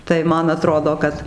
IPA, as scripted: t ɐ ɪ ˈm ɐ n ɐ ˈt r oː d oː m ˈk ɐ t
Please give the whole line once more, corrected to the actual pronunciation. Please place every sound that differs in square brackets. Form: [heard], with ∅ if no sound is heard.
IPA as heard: t ɐ ɪ ˈm ɐ n ɐ ˈt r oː d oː [∅] ˈk ɐ t

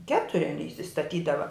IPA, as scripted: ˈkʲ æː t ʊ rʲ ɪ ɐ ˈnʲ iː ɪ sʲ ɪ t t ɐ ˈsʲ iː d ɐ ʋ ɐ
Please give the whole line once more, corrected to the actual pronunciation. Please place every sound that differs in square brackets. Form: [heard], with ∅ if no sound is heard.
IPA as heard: ˈkʲ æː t ʊ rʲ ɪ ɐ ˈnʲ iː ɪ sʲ ɪ [s] t ɐ [ˈtʲ] iː d ɐ ʋ ɐ

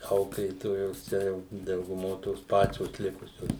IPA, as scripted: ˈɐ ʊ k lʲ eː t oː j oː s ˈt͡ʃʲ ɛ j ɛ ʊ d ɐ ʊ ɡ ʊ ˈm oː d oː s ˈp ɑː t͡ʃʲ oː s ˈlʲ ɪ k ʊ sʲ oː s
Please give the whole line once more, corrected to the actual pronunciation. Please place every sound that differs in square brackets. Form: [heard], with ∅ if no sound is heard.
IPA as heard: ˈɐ ʊ k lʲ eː t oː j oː s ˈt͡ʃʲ ɛ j ɛ ʊ d ɐ ʊ ɡ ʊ ˈm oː [t] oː s ˈp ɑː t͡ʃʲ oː s ˈlʲ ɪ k ʊ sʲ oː s

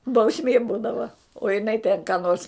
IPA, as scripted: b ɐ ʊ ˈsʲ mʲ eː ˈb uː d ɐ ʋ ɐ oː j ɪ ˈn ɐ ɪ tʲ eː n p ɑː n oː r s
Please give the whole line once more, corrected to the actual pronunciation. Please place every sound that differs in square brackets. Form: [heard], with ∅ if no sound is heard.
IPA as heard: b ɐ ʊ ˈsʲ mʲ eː ˈb uː d ɐ ʋ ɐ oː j ɪ ˈn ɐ ɪ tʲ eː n [k] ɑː n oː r s

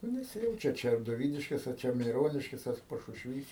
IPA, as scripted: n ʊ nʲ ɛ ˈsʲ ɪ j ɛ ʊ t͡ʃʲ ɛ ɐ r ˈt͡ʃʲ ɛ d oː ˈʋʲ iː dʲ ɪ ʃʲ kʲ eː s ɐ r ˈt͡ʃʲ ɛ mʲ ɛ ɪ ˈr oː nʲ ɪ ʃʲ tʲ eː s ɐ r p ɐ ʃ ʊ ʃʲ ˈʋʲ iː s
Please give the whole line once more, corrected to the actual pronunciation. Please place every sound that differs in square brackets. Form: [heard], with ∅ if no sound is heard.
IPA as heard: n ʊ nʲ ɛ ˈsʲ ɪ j ɛ ʊ t͡ʃʲ ɛ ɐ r ˈt͡ʃʲ ɛ d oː ˈʋʲ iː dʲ ɪ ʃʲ kʲ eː s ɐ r ˈt͡ʃʲ ɛ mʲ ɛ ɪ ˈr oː nʲ ɪ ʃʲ [kʲ] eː s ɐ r p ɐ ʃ ʊ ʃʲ ˈʋʲ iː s

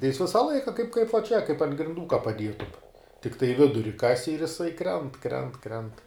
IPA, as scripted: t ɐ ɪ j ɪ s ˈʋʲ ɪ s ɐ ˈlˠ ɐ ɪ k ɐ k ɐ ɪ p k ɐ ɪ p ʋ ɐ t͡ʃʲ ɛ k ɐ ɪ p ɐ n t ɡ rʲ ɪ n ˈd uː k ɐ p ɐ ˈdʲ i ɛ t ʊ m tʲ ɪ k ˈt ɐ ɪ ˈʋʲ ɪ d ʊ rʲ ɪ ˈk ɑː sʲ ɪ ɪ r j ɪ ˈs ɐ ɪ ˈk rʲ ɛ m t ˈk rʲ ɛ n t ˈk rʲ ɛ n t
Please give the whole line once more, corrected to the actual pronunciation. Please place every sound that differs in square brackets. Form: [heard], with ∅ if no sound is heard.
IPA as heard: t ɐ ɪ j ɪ s ˈʋʲ ɪ s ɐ ˈlˠ ɐ ɪ k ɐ k ɐ ɪ p k ɐ ɪ p ʋ ɐ t͡ʃʲ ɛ k ɐ ɪ p ɐ n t ɡ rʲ ɪ n ˈd uː k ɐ p ɐ ˈdʲ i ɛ t ʊ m tʲ ɪ k ˈt ɐ ɪ ˈʋʲ ɪ d ʊ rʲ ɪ ˈk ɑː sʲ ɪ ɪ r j ɪ ˈs ɐ ɪ ˈk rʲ ɛ [n] t ˈk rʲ ɛ n t ˈk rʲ ɛ n t

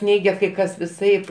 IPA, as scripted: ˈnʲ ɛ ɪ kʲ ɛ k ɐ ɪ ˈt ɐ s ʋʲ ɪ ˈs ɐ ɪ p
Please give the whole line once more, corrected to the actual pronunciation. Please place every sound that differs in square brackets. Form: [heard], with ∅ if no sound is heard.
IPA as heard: ˈnʲ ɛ ɪ [ɡʲ] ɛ k ɐ ɪ [ˈk] ɐ s ʋʲ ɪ ˈs ɐ ɪ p

